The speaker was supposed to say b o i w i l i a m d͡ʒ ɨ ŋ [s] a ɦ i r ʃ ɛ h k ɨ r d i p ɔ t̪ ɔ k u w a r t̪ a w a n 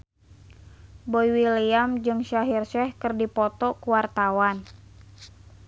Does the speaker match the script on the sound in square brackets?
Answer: no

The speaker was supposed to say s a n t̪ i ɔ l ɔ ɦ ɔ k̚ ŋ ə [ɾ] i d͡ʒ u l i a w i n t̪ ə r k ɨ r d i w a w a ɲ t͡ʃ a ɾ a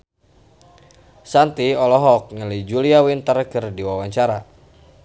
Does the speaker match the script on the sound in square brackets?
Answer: no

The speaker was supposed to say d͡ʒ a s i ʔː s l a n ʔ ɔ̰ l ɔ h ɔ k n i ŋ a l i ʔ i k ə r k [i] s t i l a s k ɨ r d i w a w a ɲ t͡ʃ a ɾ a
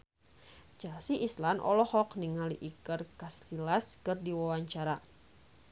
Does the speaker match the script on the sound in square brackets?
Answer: no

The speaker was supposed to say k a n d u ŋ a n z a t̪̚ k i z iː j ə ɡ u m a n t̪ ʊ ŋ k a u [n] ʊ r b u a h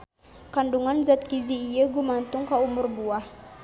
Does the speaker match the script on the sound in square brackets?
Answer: no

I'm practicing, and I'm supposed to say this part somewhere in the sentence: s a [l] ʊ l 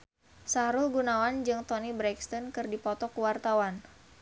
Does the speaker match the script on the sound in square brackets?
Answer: no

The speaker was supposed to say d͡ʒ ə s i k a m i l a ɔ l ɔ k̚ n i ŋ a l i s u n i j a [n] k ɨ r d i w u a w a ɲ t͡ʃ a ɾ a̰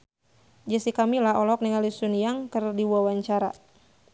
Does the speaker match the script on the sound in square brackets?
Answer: no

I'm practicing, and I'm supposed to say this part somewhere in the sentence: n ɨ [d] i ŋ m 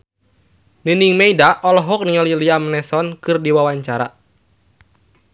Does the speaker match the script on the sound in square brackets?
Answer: no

